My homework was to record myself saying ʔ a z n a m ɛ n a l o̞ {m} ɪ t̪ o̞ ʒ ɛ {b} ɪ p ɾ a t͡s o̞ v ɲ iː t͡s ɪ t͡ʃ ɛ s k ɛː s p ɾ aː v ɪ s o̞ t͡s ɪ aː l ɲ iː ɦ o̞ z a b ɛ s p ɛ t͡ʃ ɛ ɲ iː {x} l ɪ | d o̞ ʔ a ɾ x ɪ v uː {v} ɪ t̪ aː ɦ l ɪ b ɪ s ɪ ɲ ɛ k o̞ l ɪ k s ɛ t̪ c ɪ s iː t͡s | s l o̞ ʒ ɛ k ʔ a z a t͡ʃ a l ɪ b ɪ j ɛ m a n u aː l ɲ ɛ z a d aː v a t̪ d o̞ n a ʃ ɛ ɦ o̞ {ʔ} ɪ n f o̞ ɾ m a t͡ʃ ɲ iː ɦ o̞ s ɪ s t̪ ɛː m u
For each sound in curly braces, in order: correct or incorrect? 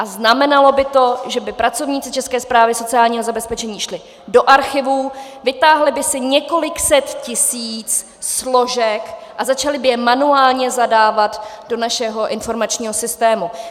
incorrect: b, correct, incorrect: ʃ, correct, correct

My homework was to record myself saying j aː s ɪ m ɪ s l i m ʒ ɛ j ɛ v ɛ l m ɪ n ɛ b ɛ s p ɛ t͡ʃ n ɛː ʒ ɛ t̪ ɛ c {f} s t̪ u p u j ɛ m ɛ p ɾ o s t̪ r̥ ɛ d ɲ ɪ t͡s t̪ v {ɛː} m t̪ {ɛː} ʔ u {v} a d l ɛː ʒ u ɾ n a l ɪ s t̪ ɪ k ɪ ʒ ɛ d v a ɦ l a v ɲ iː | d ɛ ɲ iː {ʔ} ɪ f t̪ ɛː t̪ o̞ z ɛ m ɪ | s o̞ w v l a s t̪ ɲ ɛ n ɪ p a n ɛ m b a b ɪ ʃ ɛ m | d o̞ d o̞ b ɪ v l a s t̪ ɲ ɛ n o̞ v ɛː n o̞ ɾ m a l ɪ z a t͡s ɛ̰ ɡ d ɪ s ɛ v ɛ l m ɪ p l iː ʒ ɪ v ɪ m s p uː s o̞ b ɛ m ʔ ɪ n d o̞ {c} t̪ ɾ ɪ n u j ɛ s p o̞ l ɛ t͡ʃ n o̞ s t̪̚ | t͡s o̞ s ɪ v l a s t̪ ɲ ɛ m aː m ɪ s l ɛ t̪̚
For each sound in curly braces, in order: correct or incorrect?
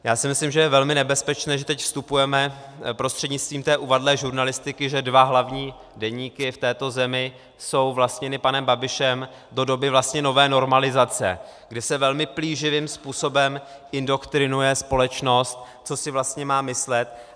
correct, incorrect: iː, correct, correct, incorrect: k, incorrect: k

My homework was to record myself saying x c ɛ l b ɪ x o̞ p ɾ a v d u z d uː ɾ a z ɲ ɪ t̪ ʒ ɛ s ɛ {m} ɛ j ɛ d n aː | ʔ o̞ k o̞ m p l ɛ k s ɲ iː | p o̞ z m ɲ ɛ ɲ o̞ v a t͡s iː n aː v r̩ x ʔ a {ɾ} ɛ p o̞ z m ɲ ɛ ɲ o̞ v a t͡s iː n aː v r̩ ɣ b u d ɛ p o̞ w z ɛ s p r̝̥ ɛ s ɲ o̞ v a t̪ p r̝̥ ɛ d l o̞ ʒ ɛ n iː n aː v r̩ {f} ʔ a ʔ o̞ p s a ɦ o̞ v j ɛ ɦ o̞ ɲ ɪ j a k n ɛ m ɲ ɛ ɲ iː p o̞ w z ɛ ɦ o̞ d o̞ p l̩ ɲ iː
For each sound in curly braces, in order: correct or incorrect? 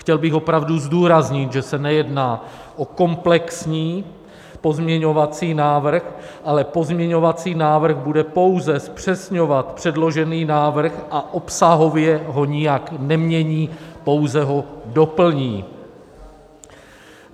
incorrect: n, incorrect: l, incorrect: x

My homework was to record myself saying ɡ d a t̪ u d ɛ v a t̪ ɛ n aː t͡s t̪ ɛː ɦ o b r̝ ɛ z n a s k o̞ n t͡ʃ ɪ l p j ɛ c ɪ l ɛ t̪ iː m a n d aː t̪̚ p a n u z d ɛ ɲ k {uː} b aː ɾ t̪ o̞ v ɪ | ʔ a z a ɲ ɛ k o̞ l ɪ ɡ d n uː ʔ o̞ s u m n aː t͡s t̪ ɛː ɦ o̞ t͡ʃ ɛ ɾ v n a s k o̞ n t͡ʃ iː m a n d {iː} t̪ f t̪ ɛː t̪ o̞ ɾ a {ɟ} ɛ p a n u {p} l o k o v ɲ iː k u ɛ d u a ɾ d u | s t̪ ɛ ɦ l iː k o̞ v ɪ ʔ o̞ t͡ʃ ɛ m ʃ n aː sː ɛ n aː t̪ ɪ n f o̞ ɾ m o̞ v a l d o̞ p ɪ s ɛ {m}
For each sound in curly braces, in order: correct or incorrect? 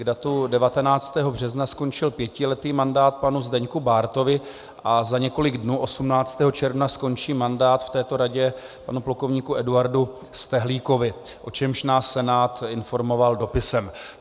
incorrect: u, incorrect: aː, correct, correct, correct

